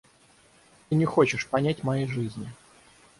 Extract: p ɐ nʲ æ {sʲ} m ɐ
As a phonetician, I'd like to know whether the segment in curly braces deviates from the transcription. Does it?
yes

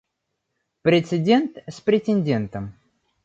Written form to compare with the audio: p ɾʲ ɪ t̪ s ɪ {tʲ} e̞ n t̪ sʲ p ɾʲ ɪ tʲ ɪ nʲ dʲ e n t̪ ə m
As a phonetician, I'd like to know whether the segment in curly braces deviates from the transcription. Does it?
yes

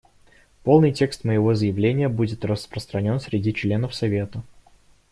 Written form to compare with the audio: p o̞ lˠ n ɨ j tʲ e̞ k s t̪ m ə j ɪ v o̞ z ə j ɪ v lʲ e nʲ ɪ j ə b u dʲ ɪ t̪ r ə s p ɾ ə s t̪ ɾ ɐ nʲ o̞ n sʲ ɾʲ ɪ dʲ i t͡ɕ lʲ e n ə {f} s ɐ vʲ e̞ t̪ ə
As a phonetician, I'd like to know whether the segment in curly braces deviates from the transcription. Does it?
no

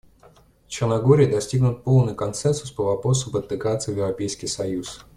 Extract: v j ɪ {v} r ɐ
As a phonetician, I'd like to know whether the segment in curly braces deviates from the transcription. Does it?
no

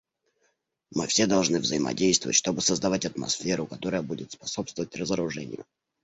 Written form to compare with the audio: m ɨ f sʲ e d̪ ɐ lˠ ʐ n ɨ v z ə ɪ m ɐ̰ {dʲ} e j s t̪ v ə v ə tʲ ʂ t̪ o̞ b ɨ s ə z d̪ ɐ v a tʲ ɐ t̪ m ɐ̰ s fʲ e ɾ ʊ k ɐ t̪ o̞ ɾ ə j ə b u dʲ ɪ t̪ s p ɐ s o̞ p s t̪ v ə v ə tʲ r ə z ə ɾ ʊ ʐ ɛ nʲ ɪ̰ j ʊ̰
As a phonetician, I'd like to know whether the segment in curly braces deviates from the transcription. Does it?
no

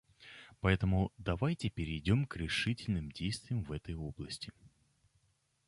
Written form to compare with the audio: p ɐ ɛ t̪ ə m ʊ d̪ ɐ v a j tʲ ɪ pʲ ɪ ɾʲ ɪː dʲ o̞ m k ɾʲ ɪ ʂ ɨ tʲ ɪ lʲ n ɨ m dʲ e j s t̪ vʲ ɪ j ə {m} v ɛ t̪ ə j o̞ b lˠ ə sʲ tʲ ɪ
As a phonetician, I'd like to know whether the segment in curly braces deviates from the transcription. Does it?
no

